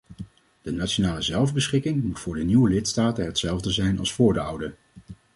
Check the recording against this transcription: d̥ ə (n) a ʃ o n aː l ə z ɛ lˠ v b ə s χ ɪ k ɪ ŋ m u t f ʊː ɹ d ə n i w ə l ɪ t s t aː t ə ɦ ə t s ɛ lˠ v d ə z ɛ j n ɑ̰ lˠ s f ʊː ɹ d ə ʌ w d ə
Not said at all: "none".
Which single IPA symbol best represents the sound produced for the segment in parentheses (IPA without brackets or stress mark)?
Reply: n